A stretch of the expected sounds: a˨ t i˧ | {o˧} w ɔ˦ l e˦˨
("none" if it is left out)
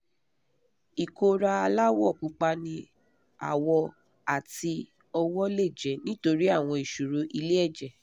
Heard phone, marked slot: ɔ˧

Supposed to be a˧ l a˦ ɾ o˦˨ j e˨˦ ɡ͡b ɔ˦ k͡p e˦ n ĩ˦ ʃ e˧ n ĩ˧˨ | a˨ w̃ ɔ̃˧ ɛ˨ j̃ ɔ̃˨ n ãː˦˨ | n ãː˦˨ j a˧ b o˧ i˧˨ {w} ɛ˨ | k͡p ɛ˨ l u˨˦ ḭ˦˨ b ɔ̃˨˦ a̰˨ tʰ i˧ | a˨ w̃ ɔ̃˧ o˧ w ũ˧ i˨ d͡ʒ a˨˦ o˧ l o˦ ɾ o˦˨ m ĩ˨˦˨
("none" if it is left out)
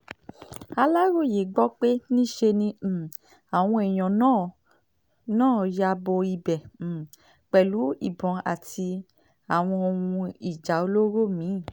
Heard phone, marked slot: b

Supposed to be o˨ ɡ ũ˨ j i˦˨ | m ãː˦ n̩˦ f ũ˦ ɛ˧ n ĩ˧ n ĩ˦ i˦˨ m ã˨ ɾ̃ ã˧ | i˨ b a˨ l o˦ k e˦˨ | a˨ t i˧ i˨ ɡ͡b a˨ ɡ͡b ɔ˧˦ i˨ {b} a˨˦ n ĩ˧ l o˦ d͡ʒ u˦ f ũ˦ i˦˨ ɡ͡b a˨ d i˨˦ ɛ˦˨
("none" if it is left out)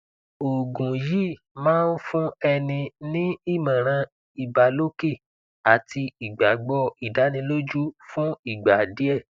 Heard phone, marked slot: d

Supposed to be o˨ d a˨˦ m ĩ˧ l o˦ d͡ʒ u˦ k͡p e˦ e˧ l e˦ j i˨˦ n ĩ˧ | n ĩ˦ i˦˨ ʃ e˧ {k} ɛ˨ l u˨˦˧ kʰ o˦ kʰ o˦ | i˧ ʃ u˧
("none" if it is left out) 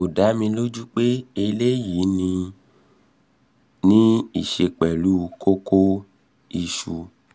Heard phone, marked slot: k͡p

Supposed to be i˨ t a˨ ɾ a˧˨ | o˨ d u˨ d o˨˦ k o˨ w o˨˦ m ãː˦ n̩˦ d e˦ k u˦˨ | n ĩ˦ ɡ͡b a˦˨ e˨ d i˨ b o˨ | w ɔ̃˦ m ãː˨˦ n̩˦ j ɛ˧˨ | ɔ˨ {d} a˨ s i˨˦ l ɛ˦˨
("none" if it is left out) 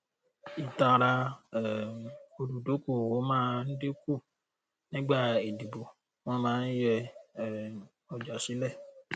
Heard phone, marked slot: d͡ʒ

